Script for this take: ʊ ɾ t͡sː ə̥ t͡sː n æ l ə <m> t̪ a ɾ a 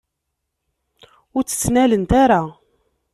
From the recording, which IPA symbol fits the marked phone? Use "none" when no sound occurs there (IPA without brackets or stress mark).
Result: n